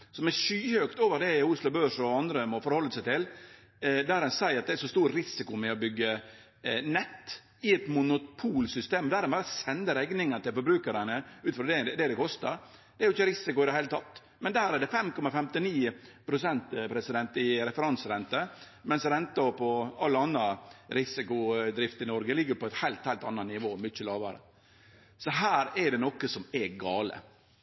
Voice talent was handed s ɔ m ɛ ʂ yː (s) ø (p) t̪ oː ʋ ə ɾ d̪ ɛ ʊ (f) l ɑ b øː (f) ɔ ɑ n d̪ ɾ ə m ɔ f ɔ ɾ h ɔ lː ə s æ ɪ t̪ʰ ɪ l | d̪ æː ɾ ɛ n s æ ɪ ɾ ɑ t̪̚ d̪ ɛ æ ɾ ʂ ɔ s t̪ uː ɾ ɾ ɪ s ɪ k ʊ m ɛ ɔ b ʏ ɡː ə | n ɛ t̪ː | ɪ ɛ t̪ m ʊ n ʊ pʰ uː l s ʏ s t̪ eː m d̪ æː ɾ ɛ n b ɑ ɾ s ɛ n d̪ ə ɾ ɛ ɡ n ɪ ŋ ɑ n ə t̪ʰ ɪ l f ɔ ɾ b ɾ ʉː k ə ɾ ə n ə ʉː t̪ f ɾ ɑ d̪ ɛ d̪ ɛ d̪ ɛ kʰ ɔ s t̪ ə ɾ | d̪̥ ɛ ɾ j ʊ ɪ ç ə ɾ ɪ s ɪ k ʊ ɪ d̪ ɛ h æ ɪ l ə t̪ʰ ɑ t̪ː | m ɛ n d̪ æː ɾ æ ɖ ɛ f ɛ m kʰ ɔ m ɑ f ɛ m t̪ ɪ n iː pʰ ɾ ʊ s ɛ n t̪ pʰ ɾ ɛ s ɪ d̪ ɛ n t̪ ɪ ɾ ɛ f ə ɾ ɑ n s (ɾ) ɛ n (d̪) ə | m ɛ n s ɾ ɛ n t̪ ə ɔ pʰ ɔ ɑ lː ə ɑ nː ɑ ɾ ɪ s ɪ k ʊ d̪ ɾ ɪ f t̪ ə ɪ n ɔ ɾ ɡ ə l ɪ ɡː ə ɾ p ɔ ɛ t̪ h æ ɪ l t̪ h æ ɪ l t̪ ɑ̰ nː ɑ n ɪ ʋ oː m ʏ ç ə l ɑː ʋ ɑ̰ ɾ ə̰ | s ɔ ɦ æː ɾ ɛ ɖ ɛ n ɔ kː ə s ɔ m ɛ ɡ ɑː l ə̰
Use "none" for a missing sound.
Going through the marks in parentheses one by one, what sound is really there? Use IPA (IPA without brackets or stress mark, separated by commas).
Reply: h, k, s, ʂ, ɾ, t̪